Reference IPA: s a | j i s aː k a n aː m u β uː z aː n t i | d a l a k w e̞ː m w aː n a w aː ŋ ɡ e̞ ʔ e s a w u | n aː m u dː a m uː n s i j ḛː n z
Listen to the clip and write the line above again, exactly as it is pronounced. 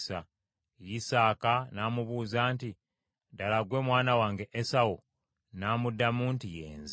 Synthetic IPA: s a | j i s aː k a n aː m u β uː z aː n t i | d a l a ɡ w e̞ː m w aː n a w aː ŋ ɡ e̞ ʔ e s a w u | n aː m u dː a m uː n t i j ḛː n z